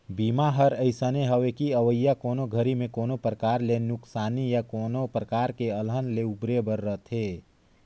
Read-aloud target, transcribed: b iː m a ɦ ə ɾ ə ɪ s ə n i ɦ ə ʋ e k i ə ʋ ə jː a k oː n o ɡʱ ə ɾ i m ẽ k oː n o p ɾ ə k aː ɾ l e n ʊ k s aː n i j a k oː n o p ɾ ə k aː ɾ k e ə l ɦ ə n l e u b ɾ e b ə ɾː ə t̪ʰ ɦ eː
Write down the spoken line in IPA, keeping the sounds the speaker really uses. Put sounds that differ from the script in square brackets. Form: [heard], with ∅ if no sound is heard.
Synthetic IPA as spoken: b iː m a ɦ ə ɾ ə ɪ s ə n [e] ɦ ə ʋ e k i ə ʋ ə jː a k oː n o ɡʱ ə ɾ i m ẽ k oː n o p ɾ ə k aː ɾ l e n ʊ k s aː n i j a k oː n o p ɾ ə k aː ɾ k e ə l ɦ ə n l e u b ɾ e b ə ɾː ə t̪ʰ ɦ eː